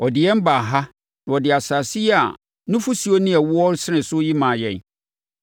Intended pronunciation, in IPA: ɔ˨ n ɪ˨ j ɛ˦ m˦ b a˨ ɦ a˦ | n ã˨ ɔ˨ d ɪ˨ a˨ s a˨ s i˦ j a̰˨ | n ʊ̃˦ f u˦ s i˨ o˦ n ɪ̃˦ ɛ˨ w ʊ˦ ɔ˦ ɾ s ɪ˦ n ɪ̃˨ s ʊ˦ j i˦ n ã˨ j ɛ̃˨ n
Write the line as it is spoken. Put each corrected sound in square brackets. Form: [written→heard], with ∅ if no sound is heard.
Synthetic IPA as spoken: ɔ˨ [n→d] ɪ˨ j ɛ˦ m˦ b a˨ ɦ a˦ | n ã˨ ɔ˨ d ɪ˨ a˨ s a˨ s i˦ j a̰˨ | n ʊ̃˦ f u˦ s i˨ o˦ n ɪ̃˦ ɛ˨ w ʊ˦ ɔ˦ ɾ s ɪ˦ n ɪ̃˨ s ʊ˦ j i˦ [n→m] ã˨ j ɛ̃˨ n